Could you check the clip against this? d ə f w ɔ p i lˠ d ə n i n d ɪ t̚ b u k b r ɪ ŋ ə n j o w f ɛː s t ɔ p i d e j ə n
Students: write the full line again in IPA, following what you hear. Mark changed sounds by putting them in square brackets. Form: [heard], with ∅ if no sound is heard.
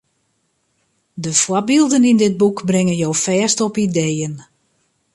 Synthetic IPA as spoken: d ə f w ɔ [b] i lˠ d ə n i n d ɪ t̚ b u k b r ɪ ŋ ə n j o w f ɛː s t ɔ p i d e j ə n